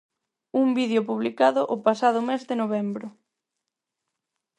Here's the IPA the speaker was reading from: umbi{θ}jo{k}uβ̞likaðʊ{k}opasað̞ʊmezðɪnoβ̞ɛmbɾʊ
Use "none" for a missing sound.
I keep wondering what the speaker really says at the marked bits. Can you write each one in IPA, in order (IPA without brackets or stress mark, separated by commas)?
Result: ð, p, ʔ